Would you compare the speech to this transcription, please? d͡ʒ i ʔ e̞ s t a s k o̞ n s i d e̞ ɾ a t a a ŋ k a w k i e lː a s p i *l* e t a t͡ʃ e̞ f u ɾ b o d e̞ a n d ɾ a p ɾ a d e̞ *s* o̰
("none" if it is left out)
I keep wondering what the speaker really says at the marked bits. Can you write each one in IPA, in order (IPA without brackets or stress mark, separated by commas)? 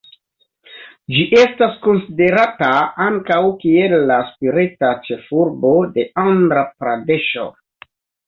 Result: ɾ, ʃ